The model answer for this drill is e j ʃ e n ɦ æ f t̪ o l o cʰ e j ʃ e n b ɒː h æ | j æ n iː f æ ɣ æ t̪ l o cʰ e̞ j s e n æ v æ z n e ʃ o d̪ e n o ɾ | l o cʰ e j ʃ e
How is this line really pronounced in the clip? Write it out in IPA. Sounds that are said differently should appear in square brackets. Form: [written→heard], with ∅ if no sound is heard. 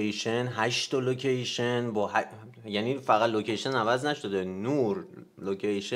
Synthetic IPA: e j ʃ e n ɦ æ [f→ʃ] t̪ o l o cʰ e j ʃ e n b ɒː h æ | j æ n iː f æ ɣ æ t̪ l o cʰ e̞ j [s→ʃ] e n æ v æ z n [e→æ] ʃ o d̪ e n [o→u] ɾ | l o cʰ e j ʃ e

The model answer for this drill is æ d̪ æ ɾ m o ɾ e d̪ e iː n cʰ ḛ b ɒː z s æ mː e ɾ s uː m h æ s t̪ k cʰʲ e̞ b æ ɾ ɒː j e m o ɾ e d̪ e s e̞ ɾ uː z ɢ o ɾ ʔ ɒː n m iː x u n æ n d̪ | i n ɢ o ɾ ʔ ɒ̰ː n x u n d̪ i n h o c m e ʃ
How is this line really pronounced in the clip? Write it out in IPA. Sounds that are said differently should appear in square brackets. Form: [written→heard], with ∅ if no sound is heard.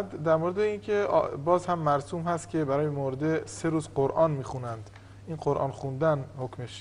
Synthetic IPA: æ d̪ æ ɾ m o ɾ e d̪ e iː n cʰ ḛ b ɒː z [s→h] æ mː [e→æ] ɾ s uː m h æ s t̪ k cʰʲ e̞ b æ ɾ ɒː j e m o ɾ e d̪ e s e̞ ɾ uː z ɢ o ɾ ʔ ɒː n m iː x u n æ n d̪ | i n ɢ o ɾ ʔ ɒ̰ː n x u n d̪ [i→æ] n h o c m e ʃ

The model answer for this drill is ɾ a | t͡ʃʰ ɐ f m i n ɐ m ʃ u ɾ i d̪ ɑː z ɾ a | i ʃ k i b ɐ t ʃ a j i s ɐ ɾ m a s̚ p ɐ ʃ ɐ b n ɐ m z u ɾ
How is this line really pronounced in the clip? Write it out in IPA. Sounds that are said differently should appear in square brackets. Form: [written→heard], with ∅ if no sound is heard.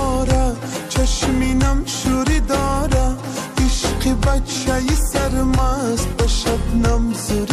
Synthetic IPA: ɾ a | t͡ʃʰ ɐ [f→ʃ] m i n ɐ m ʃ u ɾ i d̪ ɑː [z→∅] ɾ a | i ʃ [k→q] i b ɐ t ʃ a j i s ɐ ɾ m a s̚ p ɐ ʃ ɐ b n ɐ m z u ɾ

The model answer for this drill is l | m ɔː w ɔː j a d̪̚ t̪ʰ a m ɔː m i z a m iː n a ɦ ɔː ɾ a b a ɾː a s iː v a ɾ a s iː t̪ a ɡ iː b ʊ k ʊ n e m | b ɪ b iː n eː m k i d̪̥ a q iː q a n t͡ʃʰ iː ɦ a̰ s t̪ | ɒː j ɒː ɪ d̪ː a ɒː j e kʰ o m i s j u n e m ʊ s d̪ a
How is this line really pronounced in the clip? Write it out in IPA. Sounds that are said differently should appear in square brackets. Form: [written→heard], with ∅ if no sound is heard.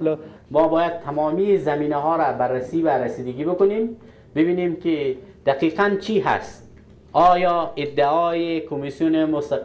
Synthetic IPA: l | m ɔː [w→b] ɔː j a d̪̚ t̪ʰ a m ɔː m i z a m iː n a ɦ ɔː ɾ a b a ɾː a s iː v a ɾ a s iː [t̪→d̪] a ɡ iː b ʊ k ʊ n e m | b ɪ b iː n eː m k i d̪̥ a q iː q a n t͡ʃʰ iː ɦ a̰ s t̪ | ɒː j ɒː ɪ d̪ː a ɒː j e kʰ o m i s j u n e m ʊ s [d̪→t̪] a

